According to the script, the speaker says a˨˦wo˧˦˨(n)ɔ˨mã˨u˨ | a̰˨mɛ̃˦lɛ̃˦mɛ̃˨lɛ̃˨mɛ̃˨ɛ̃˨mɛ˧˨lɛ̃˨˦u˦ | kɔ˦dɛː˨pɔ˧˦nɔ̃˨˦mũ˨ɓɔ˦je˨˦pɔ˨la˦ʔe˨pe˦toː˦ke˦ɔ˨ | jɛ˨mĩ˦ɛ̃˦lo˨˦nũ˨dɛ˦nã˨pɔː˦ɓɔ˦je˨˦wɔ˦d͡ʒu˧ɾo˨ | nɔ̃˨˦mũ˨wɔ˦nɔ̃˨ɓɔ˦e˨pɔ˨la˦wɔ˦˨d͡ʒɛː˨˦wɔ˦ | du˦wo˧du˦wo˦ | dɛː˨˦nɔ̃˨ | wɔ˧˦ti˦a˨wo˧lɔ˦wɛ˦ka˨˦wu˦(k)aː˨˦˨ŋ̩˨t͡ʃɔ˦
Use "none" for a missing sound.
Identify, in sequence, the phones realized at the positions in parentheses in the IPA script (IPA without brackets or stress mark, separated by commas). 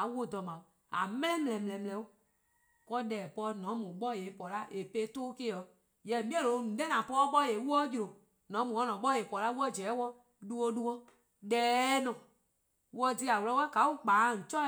d, k͡p